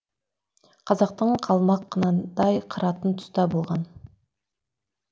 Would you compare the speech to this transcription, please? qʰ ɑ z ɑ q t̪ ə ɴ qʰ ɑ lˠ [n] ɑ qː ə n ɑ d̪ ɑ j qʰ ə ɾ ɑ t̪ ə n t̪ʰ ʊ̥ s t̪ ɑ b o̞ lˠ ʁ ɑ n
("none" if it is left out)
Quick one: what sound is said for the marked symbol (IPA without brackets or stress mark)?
m